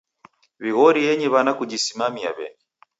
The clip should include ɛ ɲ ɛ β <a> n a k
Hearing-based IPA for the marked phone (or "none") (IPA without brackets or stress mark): a